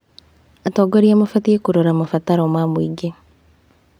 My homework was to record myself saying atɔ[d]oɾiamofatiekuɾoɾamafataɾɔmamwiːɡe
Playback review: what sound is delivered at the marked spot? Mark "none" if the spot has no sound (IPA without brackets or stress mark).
ɡ